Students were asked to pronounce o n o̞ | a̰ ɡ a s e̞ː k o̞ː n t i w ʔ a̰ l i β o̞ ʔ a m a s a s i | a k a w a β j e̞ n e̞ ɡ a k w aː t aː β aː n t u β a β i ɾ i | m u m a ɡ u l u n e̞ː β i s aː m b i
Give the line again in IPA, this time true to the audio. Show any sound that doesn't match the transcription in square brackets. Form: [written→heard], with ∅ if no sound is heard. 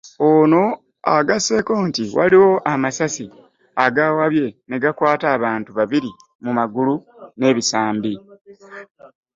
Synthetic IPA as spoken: o n o̞ | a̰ ɡ a s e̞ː k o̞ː n t i w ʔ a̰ l i [β→w] o̞ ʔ a m a s a s i | a [k→ɡ] a w a β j e̞ n e̞ ɡ a k w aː t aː β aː n t u β a β i ɾ i | m u m a ɡ u l u n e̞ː β i s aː m b i